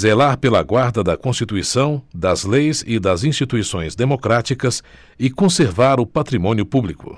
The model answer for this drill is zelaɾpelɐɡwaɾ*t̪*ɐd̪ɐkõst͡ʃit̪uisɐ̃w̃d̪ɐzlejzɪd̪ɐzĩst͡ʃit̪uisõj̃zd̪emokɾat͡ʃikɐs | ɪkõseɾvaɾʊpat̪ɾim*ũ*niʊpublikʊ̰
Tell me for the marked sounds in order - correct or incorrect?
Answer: incorrect, incorrect

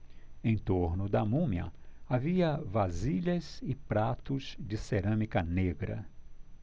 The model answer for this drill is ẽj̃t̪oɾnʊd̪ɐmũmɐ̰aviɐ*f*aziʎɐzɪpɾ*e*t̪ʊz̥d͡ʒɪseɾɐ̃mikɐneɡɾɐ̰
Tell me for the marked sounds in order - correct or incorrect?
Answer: incorrect, incorrect

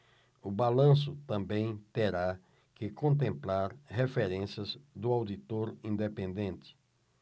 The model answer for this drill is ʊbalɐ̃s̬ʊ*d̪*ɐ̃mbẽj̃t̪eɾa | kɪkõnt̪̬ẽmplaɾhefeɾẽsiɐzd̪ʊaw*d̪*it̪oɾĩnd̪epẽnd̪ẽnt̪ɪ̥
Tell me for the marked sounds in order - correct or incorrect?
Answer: incorrect, correct

